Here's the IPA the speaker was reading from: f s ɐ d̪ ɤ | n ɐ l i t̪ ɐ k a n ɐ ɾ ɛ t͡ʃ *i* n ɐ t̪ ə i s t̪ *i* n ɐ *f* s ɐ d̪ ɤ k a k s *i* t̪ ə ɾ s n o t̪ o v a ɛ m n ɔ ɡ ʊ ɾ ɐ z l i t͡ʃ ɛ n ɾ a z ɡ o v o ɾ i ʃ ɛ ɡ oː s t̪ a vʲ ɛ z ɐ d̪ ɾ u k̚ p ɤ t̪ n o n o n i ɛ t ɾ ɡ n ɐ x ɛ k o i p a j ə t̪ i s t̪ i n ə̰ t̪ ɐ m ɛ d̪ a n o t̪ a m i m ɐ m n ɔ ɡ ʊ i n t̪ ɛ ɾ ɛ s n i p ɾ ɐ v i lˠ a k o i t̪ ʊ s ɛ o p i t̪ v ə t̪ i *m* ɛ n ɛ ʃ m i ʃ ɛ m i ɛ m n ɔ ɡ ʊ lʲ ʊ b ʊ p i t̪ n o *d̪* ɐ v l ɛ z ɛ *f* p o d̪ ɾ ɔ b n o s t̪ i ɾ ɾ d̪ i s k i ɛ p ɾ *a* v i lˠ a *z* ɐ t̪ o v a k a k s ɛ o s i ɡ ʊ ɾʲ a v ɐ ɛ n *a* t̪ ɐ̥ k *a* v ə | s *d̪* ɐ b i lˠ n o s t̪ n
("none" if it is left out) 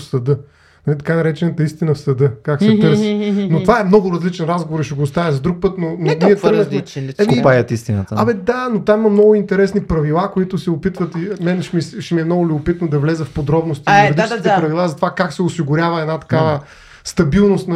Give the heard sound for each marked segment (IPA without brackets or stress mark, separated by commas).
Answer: ɛ, i, f, ɛ, m, d̪, f, ɐ, z, a, a, t̪